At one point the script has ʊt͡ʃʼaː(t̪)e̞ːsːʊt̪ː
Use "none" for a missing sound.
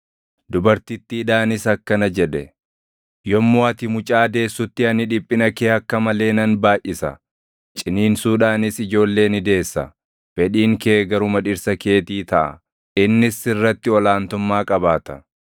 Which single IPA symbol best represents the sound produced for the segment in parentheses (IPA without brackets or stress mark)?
d̪